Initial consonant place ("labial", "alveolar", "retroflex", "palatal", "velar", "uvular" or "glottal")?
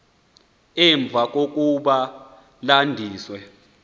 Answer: labial